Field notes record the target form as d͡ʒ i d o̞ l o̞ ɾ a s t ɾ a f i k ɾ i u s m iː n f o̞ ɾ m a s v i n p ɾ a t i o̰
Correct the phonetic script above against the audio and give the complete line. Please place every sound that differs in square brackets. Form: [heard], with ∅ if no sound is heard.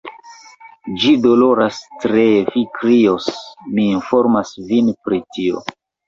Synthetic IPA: d͡ʒ i d o̞ l o̞ ɾ a s t ɾ [e] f i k ɾ i [o] s m iː n f o̞ ɾ m a s v i n p ɾ [i] t i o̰